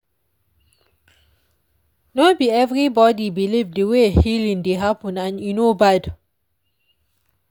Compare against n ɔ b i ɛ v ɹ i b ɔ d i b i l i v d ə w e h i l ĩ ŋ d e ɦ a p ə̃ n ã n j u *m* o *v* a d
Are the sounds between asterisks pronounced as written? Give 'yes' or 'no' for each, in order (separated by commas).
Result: no, no